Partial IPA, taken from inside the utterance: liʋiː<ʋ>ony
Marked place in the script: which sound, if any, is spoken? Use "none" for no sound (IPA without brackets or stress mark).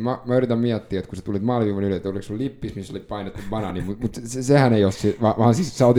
ʋ